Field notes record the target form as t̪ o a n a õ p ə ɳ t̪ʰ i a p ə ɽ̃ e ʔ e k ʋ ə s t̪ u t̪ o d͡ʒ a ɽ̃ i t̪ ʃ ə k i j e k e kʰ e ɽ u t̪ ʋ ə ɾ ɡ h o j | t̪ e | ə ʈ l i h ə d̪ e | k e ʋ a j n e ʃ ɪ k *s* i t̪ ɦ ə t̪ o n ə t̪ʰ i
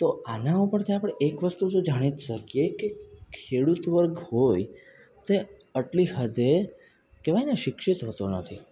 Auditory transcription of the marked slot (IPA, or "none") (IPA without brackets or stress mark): ʃ